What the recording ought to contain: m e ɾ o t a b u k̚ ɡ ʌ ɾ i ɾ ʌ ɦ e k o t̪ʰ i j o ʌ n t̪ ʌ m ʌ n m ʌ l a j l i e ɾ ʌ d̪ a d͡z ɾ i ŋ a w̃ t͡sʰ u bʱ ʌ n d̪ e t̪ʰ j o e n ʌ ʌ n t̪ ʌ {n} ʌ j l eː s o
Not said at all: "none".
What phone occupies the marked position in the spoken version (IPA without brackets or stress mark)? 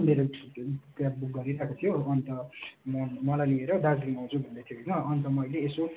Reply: m